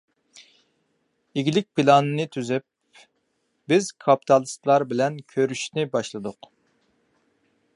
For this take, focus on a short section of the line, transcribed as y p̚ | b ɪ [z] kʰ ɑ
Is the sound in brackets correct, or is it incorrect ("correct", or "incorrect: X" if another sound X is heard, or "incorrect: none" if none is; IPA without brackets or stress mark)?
correct